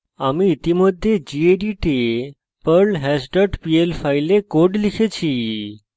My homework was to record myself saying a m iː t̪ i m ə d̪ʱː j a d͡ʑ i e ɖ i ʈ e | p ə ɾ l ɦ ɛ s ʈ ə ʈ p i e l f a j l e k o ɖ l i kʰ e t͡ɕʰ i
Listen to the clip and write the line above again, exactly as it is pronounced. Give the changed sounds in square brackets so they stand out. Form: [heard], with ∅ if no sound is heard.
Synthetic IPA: a m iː t̪ i m ə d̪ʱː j [e] d͡ʑ i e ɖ i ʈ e | p ə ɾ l ɦ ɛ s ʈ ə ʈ p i e l f a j l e k o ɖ l i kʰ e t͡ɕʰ i